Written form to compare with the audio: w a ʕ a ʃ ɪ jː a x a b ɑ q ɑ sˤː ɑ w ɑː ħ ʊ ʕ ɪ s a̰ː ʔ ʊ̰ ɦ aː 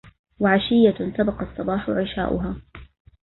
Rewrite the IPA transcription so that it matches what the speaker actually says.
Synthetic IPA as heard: w a ʕ a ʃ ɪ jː a s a b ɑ q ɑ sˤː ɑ b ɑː ħ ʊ ʕ ɪ ʃ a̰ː ʔ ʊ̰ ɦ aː